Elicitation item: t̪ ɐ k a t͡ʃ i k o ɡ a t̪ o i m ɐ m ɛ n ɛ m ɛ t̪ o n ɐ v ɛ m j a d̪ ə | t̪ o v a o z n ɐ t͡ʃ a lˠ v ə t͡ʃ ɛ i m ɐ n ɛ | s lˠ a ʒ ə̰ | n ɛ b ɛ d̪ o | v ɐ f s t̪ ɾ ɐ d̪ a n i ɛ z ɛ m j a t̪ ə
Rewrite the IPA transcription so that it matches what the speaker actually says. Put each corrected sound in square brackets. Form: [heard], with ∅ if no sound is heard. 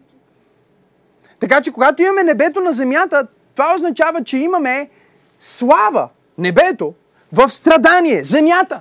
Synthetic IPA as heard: t̪ ɐ k a t͡ʃ [ɛ] k o ɡ a t̪ o i m ɐ m ɛ n ɛ [b] ɛ t̪ o n ɐ [z] ɛ m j a [t̪] ə | t̪ o v a o z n ɐ t͡ʃ a [∅] v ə t͡ʃ ɛ i m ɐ [m] ɛ | s lˠ a [v] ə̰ | n ɛ b ɛ [t̪] o | v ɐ f s t̪ ɾ ɐ d̪ a n i ɛ z ɛ m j a t̪ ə